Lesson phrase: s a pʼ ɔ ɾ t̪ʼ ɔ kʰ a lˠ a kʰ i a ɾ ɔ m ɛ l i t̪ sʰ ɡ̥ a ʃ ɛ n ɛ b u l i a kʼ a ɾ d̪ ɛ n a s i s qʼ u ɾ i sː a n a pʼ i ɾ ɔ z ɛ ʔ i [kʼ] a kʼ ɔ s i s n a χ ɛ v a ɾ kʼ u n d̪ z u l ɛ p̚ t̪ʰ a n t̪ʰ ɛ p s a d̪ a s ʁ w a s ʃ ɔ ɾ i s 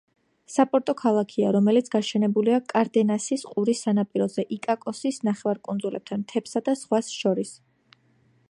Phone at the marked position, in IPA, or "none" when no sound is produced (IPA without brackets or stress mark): kʼ